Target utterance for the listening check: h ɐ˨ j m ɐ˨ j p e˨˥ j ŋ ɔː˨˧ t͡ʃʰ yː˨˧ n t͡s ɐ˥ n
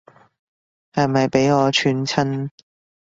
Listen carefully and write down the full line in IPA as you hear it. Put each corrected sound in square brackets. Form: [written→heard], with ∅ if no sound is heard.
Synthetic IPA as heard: h ɐ˨ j m ɐ˨ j p e˨˥ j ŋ ɔː˨˧ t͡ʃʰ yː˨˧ n [t͡s→t͡sʰ] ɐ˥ n